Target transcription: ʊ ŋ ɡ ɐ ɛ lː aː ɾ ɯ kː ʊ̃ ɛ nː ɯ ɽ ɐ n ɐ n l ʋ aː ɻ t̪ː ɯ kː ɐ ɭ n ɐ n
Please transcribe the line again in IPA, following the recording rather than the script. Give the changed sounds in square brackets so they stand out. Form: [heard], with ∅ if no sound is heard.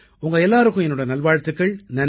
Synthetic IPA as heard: ʊ ŋ ɡ ɐ ɛ lː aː ɾ ɯ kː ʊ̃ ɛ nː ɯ ɽ ɐ n ɐ [∅] l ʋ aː ɻ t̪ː ɯ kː ɐ ɭ n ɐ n